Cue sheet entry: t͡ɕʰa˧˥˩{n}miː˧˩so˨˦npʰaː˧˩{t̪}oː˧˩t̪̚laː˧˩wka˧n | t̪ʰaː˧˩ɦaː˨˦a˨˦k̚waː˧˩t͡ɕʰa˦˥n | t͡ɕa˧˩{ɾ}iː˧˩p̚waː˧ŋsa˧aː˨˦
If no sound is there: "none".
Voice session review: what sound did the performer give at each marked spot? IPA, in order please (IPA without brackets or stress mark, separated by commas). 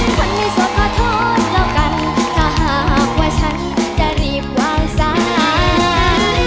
n, t̪ʰ, ɾ